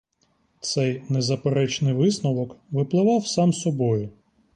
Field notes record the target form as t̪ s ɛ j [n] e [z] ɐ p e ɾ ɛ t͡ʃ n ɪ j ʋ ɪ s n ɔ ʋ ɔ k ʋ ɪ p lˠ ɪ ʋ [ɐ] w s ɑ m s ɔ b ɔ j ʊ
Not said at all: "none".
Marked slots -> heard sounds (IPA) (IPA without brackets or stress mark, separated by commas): n, z, ɑ